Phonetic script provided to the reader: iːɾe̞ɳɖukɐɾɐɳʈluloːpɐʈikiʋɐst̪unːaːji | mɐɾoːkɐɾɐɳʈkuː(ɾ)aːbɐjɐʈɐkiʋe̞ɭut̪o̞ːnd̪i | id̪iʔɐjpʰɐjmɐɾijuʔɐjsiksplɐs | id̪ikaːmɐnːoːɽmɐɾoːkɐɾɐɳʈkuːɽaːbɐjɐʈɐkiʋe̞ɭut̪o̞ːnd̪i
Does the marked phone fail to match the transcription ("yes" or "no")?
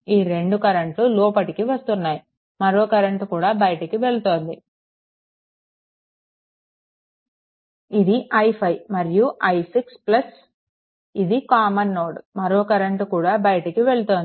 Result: yes